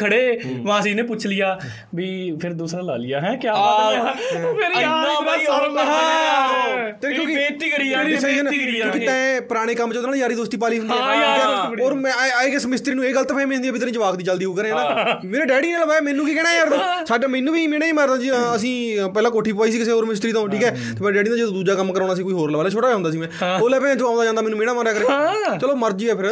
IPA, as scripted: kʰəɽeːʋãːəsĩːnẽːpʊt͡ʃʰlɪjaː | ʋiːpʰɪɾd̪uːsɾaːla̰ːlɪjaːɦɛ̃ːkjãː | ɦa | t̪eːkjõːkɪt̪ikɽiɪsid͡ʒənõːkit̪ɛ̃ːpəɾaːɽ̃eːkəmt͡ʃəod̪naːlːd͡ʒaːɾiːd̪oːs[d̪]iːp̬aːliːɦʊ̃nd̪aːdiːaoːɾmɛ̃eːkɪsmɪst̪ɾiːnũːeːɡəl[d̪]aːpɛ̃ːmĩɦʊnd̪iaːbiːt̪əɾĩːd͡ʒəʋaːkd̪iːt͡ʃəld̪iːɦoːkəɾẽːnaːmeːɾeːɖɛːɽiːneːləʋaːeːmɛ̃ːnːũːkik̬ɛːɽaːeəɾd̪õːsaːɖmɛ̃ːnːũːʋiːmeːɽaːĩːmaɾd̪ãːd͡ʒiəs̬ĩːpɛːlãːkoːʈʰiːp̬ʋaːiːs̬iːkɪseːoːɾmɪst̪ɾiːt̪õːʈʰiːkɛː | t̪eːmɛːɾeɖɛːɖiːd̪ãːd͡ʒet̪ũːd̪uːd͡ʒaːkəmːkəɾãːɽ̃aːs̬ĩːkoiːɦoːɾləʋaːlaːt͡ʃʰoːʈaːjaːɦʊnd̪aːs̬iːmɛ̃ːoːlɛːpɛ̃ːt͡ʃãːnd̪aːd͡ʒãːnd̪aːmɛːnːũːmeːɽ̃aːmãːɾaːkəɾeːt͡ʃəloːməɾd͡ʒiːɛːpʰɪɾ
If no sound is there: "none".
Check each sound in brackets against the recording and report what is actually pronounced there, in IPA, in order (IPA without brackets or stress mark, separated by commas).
t̪, t̪